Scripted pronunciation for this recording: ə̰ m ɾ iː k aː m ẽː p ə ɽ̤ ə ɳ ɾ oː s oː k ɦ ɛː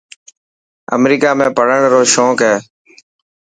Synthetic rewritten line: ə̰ m ɾ iː k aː m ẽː p ə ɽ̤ ə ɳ ɾ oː ʃ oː k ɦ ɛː